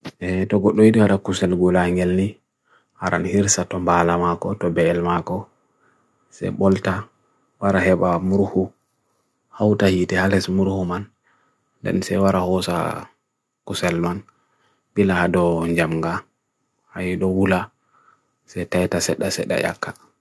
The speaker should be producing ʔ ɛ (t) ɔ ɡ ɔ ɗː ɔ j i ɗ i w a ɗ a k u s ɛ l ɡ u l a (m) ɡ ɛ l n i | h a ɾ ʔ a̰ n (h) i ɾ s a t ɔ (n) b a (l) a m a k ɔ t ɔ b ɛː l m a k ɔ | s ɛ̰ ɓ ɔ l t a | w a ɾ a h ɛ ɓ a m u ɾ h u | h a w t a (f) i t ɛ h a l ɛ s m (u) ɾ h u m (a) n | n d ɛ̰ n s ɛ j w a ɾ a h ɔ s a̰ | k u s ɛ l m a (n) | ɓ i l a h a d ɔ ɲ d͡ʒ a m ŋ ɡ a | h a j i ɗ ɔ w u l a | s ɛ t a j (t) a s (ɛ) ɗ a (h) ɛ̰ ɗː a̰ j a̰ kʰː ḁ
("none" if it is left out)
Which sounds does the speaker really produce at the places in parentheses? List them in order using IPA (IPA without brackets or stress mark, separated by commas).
t, ŋ, h, m, l, h, u, a, n, t, ɛ, s